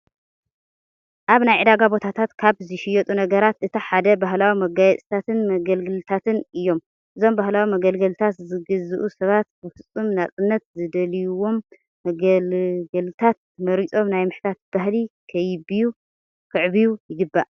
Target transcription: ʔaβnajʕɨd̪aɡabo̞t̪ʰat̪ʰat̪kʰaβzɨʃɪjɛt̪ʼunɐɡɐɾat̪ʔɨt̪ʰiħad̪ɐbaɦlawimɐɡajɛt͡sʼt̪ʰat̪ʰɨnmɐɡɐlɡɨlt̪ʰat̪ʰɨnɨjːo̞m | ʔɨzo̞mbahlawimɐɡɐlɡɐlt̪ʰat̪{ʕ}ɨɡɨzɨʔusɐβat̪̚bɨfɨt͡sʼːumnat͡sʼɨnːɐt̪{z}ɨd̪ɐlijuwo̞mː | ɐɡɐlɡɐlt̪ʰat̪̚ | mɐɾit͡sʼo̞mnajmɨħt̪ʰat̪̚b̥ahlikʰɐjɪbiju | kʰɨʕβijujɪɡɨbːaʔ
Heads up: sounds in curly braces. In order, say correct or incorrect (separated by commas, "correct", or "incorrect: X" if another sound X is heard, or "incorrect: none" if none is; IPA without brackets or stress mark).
incorrect: z, correct